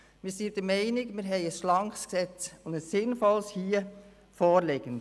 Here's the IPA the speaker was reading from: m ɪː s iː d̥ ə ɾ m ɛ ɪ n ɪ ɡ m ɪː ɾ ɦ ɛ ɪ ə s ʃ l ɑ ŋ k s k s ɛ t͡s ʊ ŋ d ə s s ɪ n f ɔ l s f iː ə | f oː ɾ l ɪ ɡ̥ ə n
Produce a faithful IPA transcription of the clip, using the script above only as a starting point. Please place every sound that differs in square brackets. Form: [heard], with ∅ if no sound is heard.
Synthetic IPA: m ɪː s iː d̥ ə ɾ m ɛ ɪ n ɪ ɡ m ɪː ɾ ɦ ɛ ɪ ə s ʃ l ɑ ŋ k s k s ɛ t͡s ʊ [n] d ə s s ɪ n f ɔ l s [h] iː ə | f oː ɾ l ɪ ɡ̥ ə n